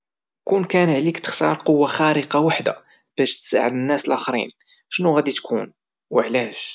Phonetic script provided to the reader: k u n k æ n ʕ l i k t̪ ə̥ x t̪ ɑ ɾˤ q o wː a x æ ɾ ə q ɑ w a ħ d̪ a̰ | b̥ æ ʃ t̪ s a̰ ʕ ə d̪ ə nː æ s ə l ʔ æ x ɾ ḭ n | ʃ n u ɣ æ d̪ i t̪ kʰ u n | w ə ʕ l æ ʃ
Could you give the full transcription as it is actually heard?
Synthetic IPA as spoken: k u n k æ n ʕ l i k t̪ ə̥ x t̪ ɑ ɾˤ q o wː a x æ ɾ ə q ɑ w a ħ d̪ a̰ | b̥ æ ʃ t̪ s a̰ ʕ ə d̪ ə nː æ s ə l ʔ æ x ɾ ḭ n | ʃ n u ɣ æ d̪ i t̪ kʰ u n | w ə ʕ l æ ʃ

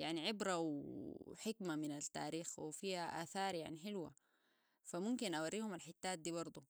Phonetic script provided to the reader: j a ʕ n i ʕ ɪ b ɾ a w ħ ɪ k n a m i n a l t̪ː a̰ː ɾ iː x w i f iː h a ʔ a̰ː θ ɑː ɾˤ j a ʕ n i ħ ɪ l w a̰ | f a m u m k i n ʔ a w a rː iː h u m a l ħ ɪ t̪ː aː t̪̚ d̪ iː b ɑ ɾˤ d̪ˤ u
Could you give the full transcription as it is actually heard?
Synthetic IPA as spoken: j a ʕ n i ʕ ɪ b ɾ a w ħ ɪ k m a m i n a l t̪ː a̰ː ɾ iː x w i f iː h a ʔ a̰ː θ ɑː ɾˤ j a ʕ n i ħ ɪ l w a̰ | f a m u m k i n ʔ a w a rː iː h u m a l ħ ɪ t̪ː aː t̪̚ d̪ iː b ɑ ɾˤ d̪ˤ u

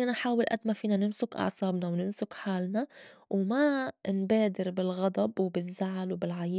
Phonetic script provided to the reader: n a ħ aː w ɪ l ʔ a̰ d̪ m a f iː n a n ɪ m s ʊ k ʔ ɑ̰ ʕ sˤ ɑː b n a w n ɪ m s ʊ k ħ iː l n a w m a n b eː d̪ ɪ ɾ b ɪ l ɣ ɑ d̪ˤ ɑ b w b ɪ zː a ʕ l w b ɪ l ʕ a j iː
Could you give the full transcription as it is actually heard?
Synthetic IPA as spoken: n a ħ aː w ɪ l ʔ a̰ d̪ m a f iː n a n ɪ m s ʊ k ʔ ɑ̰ ʕ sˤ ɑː b n a w n ɪ m s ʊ k ħ aː l n a w m a n b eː d̪ ɪ ɾ b ɪ l ɣ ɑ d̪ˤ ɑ b w b ɪ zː a ʕ l w b ɪ l ʕ a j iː

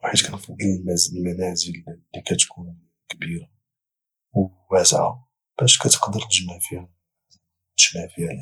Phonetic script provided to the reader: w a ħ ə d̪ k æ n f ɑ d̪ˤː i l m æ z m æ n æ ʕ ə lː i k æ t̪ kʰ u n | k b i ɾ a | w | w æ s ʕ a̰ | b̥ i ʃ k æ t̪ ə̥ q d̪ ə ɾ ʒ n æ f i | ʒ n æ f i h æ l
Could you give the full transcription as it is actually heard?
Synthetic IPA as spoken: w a ħ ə d̪ k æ n f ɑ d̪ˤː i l m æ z m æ n æ z ə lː i k æ t̪ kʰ u n | k b i ɾ a | w | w æ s ʕ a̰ | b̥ æ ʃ k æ t̪ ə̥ q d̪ ə ɾ ʒ n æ f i | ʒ n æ f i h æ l

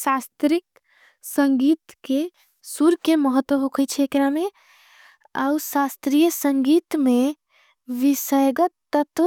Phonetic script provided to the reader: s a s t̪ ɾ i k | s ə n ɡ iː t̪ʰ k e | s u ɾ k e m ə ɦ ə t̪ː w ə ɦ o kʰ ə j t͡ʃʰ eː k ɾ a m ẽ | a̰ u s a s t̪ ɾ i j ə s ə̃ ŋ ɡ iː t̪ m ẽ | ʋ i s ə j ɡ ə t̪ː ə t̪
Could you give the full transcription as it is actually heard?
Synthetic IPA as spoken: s a s t̪ ɾ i k | s ə ŋ ɡ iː t̪ k e | s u ɾ k e m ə ɦ ə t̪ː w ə ɦ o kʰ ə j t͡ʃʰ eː k ɾ a m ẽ | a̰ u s a s t̪ ɾ i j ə s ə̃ ŋ ɡ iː t̪ m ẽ | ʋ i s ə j ɡ ə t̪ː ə t̪

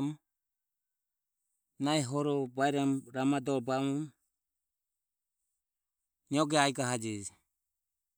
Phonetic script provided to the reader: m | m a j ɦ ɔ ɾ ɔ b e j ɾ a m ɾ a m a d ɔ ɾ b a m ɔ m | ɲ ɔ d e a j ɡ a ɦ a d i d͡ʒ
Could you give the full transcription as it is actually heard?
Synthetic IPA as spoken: m | n a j ɦ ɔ ɾ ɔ b a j ɾ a m ɾ a m a d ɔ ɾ b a m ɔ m | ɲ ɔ ɡ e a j ɡ a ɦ a d͡ʒ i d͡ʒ

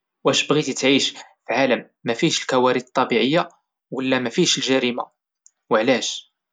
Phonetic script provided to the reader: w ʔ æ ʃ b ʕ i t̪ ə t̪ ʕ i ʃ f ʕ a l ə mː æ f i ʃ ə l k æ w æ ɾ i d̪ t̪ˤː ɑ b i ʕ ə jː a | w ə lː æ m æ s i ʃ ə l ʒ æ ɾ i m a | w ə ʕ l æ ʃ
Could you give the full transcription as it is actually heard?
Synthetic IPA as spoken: w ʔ æ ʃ b ɣ i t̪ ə t̪ ʕ i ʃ f ʕ a l ə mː æ f i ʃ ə l k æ w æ ɾ i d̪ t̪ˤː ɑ b i ʕ ə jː a | w ə lː æ m æ f i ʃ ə l ʒ æ ɾ i m a | w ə ʕ l æ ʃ

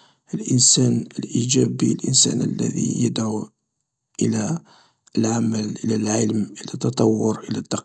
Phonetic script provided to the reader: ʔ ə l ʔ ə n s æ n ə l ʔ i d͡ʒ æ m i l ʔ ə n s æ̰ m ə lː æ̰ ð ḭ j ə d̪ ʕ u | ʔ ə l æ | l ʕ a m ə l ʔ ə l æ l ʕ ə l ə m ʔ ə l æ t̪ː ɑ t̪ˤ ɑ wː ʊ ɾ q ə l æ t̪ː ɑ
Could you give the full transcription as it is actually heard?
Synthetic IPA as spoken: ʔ ə l ʔ ə n s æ n ə l ʔ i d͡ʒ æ b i l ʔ ə n s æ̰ n ə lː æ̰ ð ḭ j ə d̪ ʕ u | ʔ ə l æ | l ʕ a m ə l ʔ ə l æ l ʕ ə l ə m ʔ ə l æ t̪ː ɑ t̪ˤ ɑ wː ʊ ɾ ʔ ə l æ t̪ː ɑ

